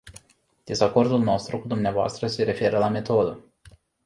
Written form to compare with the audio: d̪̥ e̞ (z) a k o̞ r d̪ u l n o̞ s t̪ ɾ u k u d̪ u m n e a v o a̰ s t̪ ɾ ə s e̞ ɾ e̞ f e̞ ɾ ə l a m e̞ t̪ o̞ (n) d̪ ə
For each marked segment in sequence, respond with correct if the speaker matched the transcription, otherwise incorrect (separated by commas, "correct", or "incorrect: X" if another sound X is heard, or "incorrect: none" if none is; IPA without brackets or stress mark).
correct, incorrect: none